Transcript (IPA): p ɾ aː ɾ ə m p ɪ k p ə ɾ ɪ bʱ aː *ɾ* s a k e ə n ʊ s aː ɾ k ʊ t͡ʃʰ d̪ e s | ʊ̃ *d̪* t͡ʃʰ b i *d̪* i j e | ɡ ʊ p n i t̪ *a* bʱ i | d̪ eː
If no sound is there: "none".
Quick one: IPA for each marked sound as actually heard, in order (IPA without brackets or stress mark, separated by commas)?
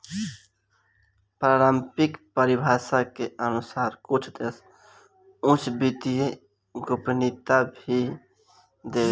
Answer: none, none, t̪, a